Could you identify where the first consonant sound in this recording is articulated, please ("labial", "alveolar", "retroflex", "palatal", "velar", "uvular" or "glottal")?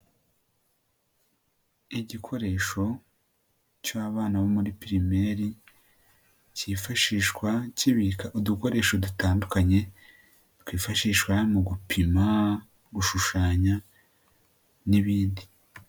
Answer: palatal